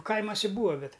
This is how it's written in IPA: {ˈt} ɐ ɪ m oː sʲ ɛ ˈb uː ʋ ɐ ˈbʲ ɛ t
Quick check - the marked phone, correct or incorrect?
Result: incorrect